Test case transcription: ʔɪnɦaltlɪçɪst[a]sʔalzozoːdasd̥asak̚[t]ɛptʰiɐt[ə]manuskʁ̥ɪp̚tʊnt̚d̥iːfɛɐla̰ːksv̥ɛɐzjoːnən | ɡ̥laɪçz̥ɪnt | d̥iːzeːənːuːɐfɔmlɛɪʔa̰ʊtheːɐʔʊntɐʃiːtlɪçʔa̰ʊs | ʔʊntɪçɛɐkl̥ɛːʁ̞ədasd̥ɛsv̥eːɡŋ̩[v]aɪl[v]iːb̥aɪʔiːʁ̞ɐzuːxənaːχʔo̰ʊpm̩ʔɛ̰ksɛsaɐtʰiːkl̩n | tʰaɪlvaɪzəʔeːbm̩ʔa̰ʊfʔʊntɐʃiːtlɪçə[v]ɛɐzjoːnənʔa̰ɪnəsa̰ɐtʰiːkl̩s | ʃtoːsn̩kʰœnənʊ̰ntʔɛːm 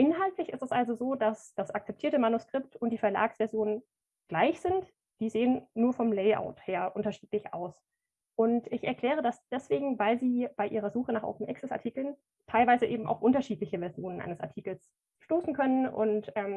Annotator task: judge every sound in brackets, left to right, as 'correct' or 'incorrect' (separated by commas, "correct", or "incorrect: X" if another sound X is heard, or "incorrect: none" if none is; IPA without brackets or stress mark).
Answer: incorrect: ɛ, incorrect: t͡s, correct, correct, incorrect: z, correct